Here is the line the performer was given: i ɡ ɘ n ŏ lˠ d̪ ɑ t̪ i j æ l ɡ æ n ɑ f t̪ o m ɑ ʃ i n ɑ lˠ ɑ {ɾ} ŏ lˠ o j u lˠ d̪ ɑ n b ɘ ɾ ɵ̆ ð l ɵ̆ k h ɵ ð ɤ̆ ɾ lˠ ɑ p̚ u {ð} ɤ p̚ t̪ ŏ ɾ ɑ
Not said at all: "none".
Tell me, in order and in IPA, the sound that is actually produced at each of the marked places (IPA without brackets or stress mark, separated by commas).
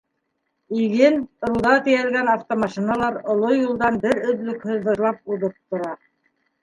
ɾ, ð